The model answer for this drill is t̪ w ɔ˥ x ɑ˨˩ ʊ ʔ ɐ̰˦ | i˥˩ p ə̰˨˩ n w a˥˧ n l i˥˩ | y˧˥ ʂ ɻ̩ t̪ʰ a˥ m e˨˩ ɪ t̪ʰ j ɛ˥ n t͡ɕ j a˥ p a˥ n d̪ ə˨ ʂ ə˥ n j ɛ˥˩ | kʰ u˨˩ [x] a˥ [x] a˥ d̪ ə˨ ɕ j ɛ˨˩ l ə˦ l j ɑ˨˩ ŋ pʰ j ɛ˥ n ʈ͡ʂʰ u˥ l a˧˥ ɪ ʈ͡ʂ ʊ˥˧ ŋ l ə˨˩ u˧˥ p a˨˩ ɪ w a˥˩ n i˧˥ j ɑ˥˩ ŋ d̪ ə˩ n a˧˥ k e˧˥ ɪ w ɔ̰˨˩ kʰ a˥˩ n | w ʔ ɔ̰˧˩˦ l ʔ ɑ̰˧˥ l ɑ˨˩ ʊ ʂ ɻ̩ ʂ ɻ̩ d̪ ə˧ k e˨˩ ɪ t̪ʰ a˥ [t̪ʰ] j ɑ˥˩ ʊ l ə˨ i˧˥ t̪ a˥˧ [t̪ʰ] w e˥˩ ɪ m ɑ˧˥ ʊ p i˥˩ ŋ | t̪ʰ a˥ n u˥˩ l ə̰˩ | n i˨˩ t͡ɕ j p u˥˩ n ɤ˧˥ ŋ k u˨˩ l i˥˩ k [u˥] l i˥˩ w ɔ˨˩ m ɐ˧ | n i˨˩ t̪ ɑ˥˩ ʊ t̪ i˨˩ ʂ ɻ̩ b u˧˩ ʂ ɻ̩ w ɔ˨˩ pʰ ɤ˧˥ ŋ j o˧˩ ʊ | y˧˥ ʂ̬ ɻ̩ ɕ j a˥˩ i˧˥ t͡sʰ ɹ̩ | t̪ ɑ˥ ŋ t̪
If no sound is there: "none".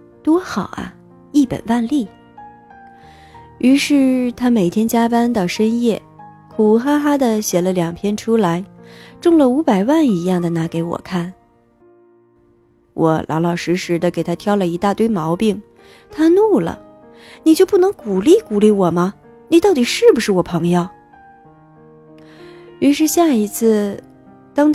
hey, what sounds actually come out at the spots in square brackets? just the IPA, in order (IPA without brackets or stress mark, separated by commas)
x, x, t̪ʰ, t̪, u˨˩